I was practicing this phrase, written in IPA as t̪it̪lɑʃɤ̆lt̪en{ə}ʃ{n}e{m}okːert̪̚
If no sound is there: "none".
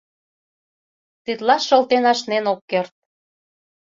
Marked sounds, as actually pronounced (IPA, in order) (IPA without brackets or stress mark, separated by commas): ɑ, n, n